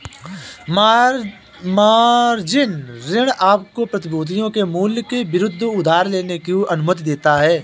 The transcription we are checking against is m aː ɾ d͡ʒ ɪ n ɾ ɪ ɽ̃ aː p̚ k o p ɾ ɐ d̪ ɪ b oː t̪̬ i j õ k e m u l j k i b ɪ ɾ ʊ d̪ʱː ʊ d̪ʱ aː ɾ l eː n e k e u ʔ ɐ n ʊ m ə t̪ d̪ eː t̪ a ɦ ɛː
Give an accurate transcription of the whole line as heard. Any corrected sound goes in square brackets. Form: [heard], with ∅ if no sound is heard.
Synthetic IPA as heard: m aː ɾ d͡ʒ ɪ n ɾ ɪ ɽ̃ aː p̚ k o p ɾ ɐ [t̪] ɪ b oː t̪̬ i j õ k e m [uː] l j k [e] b ɪ ɾ ʊ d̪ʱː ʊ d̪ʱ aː ɾ l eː n e k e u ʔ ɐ n ʊ m ə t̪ d̪ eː t̪ a ɦ ɛː